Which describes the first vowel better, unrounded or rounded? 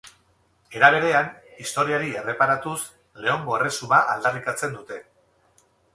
unrounded